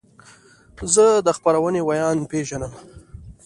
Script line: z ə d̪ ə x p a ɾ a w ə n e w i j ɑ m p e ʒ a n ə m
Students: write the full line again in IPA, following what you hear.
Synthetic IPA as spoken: z ə d̪ ə x p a ɾ a w ə n e w a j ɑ n p e ʒ a n ə m

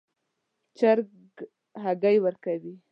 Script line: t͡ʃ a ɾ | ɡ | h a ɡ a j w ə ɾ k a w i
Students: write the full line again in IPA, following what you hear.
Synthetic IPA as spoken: t͡ʃ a ɾ | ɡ | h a ɡ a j w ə ɾ k a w i

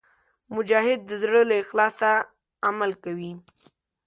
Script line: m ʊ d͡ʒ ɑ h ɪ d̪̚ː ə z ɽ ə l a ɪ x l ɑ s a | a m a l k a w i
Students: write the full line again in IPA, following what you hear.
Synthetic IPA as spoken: m ʊ d͡ʒ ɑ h ɪ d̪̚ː ə z ɽ ə l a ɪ x l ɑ s a | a m a l k a w i

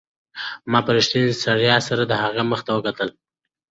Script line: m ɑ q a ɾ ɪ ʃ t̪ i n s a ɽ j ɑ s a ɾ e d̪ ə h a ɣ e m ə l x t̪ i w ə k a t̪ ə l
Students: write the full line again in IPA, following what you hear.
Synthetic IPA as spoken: m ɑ p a ɾ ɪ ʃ t̪ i n s a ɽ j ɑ s a ɾ a d̪ ə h a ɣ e m ə x t̪ a w ə k a t̪ ə l

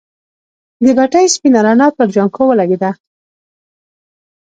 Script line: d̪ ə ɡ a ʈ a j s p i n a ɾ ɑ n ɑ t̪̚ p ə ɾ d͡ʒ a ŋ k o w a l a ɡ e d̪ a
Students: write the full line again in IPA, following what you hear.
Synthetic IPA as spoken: d̪ ə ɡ a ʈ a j s p i n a ɾ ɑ n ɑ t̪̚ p ə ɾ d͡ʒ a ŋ k o w ə l a ɡ e d̪ a

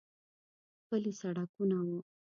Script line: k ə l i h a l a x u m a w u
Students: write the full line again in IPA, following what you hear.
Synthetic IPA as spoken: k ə l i s a ɽ a k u n a w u

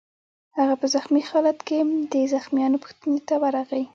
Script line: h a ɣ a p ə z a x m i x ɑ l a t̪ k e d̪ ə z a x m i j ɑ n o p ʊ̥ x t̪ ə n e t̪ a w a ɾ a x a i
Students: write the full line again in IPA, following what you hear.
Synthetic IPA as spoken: h a ɣ a p ə z a x m i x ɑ l a t̪ k e d̪ ə z a x m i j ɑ n o p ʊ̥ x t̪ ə n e t̪ a w a ɾ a ɣ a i

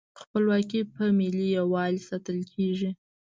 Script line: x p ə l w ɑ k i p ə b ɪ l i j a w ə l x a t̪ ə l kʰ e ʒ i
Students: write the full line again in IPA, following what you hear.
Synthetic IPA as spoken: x p ə l w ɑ k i p ə m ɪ l i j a w ɑ l s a t̪ ə l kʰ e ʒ i

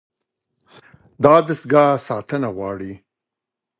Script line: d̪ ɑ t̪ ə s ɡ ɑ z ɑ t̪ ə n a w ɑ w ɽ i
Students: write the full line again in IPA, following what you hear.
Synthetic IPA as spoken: d̪ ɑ d̪ ə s ɡ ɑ s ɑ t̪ ə n a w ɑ ɽ i

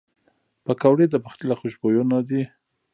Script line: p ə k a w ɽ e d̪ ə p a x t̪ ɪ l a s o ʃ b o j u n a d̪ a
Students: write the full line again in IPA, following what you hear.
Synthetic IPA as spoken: p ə k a w ɽ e d̪ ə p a x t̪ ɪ l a x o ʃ b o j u n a d̪ i

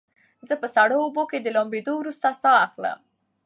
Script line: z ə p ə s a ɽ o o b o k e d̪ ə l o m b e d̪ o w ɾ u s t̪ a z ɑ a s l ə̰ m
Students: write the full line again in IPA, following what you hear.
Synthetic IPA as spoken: z ə p ə s a ɽ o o b o k e d̪ ə l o m b e d̪ o w ɾ u s t̪ a s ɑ a x l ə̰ m

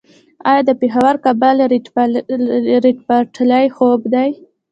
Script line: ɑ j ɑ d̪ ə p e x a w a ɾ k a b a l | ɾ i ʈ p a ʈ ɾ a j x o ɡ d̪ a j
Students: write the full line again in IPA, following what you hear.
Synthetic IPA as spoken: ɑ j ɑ d̪ ə p e x a w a ɾ k a b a l | ɾ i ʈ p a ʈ l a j x o b d̪ a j

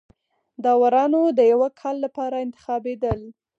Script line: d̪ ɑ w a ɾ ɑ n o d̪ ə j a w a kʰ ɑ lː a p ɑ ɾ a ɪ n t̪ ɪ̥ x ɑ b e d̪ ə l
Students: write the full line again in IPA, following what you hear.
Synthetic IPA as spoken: d̪ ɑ w a ɾ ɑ n o d̪ ə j a w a kʰ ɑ lː a p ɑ ɾ a ɪ n t̪ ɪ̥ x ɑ b e d̪ ə l

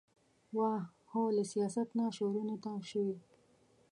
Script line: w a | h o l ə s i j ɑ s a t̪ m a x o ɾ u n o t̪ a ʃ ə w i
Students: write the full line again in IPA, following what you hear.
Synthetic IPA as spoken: w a | h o l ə s i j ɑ s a t̪ n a ʃ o ɾ u n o t̪ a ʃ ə w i

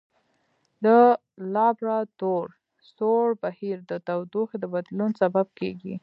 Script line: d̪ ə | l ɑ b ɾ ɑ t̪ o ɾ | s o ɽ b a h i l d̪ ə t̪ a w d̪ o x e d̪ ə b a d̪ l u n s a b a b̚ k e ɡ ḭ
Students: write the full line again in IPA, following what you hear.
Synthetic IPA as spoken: d̪ ə | l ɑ b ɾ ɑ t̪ o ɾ | s o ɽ b a h i ɾ d̪ ə t̪ a w d̪ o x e d̪ ə b a d̪ l u n s a b a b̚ k e ɡ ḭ

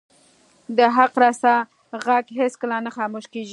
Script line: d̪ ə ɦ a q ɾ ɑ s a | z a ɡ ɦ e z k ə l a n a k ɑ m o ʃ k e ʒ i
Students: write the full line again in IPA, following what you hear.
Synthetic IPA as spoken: d̪ ə ɦ a q ɾ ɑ s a | ɣ a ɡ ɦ e s k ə l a n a x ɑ m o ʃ k e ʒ i

